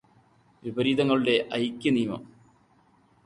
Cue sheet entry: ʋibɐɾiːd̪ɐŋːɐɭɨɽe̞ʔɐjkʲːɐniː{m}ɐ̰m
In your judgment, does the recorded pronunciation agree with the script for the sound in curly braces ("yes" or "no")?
yes